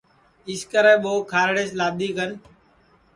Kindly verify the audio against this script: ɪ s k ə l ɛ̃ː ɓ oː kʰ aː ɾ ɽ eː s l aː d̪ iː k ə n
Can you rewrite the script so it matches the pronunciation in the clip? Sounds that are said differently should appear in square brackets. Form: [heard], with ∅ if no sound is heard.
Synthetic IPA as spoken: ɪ s k ə [ɾ] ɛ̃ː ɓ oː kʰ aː ɾ ɽ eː s l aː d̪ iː k ə n